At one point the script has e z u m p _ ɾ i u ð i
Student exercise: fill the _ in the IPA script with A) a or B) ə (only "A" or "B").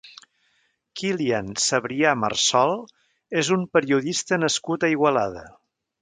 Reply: B